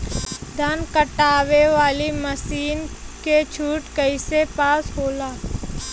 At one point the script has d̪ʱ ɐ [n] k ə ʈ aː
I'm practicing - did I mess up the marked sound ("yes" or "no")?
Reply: no